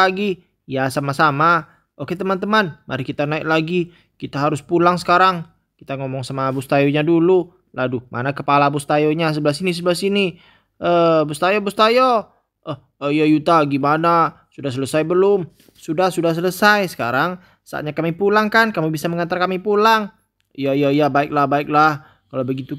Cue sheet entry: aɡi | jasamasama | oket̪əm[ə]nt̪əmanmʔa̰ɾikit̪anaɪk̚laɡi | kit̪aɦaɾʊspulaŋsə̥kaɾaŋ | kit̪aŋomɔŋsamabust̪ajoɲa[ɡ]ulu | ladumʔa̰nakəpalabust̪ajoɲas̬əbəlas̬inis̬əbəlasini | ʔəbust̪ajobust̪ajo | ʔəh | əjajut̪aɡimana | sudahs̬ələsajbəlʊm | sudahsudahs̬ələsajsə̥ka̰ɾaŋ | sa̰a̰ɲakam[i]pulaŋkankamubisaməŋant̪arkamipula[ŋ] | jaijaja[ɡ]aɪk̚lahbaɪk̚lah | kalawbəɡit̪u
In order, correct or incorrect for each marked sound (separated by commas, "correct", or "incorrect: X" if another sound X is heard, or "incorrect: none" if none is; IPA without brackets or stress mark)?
incorrect: a, incorrect: d, correct, correct, incorrect: b